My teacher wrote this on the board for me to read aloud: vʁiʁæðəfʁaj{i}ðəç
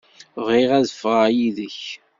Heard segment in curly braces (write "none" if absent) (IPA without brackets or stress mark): i